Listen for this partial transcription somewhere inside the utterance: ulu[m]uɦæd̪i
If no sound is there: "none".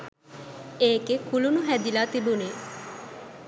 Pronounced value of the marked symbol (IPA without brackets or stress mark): n